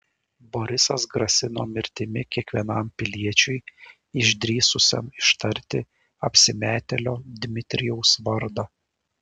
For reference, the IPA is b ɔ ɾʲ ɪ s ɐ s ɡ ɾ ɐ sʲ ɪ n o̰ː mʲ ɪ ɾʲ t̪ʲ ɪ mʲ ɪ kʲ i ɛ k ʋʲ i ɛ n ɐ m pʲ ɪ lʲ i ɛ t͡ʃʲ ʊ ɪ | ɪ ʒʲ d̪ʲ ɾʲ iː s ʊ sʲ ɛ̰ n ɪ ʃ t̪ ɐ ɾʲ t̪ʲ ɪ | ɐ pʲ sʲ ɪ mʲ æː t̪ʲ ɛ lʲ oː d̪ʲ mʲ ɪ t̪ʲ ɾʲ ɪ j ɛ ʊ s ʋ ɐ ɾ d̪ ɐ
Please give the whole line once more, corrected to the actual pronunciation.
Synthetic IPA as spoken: b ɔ ɾʲ ɪ s ɐ s ɡ ɾ ɐ sʲ ɪ n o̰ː mʲ ɪ ɾʲ t̪ʲ ɪ mʲ ɪ kʲ i ɛ k ʋʲ i ɛ n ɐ m pʲ ɪ lʲ i ɛ t͡ʃʲ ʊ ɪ | ɪ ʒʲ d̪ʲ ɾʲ iː s ʊ sʲ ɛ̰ m ɪ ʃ t̪ ɐ ɾʲ t̪ʲ ɪ | ɐ pʲ sʲ ɪ mʲ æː t̪ʲ ɛ lʲ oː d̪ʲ mʲ ɪ t̪ʲ ɾʲ ɪ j ɛ ʊ s ʋ ɐ ɾ d̪ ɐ